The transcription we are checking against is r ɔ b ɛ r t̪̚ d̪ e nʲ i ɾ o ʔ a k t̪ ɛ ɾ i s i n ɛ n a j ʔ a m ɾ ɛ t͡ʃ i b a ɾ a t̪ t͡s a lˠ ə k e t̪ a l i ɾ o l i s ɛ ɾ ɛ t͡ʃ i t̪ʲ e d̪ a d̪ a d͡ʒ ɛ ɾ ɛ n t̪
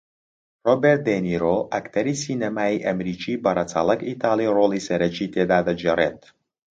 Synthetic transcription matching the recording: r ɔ b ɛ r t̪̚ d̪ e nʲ i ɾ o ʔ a k t̪ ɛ ɾ i s i n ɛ m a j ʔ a m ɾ i t͡ʃ i b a ɾ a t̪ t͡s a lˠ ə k i t̪ a l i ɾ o l i s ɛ ɾ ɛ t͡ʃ i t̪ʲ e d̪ a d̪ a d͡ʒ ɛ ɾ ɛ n t̪